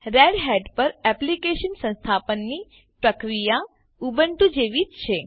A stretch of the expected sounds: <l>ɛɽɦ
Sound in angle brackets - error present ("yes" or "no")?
yes